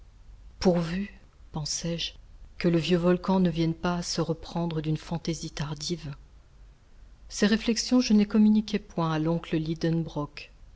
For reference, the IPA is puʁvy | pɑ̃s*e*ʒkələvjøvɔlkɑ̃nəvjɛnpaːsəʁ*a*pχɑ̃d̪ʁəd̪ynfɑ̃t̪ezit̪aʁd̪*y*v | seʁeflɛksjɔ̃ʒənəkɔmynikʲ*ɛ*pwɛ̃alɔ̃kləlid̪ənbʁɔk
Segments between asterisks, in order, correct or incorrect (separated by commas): incorrect, incorrect, incorrect, correct